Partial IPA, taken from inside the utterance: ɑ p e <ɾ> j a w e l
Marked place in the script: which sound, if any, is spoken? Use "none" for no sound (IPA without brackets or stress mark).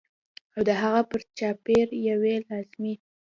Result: ɾ